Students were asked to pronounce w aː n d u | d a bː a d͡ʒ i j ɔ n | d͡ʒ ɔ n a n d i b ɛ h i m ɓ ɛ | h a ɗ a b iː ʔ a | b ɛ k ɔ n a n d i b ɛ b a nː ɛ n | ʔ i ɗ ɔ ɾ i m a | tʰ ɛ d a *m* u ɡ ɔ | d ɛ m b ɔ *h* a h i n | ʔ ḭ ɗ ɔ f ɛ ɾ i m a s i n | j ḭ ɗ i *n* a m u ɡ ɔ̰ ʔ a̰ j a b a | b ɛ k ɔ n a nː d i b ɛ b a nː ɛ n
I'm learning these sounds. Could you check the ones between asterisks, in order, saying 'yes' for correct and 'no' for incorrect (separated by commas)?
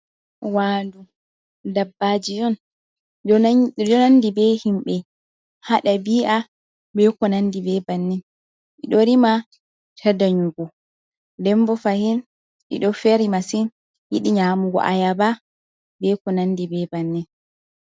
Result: no, no, no